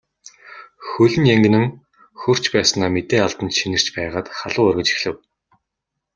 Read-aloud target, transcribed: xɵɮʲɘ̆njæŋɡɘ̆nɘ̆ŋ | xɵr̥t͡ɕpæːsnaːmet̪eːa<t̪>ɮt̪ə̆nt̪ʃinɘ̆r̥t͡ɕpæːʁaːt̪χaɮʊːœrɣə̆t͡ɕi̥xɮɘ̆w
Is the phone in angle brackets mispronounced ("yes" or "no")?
yes